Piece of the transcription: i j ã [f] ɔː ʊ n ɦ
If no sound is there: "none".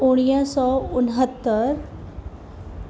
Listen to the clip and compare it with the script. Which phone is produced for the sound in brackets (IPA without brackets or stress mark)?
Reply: s